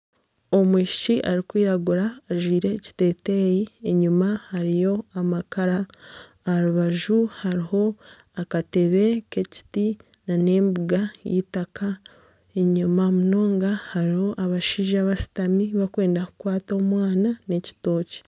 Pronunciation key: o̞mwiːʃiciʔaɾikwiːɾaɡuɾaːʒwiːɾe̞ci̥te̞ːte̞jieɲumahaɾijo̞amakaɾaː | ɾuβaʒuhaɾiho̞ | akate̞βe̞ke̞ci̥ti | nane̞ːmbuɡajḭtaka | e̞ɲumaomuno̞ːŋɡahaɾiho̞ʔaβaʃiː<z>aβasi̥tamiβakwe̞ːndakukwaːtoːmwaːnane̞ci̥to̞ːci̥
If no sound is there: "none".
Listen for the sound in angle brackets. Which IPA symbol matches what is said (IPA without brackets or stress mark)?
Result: ʒ